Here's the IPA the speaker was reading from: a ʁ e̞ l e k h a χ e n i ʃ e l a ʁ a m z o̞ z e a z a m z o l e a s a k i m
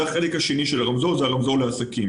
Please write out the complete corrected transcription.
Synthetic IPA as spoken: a χ e̞ l e k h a ʃ e n i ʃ e l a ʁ a m z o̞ z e a ʁ a m z o l e a s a k i m

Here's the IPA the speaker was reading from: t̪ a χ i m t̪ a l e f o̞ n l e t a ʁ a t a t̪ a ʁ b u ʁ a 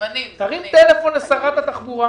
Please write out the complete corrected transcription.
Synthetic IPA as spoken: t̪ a ʁ i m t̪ e l e f o̞ n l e s a ʁ a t a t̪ a χ b u ʁ a

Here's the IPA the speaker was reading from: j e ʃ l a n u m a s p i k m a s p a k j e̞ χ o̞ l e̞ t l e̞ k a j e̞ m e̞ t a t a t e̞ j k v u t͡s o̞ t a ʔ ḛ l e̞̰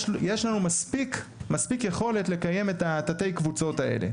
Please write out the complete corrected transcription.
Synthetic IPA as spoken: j e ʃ l a n u m a s p i k m a s p i k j e̞ χ o̞ l e̞ t l e̞ k a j e̞ m e̞ t a t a t e̞ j k v u t͡s o̞ t a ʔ ḛ l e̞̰

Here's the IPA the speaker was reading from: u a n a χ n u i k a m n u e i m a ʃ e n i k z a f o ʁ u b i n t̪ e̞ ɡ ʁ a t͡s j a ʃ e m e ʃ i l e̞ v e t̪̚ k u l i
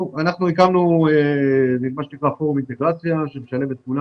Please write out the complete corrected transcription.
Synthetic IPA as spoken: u a n a χ n u i k a m n u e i m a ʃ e n i k ʁ a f o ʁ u m i n t̪ e̞ ɡ ʁ a t͡s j a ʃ e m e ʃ a l e̞ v e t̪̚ k u l a

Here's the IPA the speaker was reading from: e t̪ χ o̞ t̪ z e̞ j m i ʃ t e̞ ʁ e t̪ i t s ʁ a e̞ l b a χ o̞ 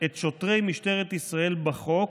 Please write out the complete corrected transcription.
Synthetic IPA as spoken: e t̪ ʃ o̞ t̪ ʁ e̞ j m i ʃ t e̞ ʁ e t̪ i s ʁ a e̞ l b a χ o̞

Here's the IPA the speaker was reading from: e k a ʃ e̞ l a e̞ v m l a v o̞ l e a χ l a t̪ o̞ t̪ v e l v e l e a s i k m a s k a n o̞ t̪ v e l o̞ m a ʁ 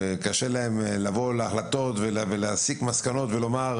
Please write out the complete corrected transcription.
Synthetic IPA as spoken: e k a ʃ e̞ l a e̞ m l a v o̞ l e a χ l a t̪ o̞ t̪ v e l v e l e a s i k m a s k a n o̞ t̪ v e l o̞ m a ʁ

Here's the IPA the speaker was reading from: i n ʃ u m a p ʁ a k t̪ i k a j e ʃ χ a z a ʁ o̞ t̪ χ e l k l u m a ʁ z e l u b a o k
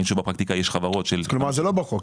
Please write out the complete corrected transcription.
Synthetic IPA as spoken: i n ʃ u b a p ʁ a k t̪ i k a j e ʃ χ a v a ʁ o̞ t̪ ʃ e l k l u m a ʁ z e l o b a o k

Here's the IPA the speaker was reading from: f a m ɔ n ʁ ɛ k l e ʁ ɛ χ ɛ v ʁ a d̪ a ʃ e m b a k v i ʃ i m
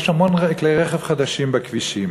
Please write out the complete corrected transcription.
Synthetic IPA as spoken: ʃ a m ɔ n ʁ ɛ k l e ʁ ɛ χ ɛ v χ a d̪ a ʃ i m b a k v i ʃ i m

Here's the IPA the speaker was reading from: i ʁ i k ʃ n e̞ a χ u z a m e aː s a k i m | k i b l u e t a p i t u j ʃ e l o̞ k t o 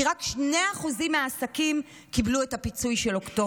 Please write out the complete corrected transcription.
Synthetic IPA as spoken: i ʁ a k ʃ n e̞ a χ u z i m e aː s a k i m | k i b l u e t a p i t͡s u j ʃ e l o̞ k t o

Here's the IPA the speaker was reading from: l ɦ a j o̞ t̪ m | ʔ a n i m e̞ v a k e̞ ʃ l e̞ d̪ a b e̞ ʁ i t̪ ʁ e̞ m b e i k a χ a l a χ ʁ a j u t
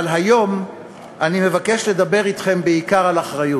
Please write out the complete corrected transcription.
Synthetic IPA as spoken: l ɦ a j o̞ m | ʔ a n i m e̞ v a k e̞ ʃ l e̞ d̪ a b e̞ ʁ i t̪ χ e̞ m b e i k a ʁ a l a χ ʁ a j u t

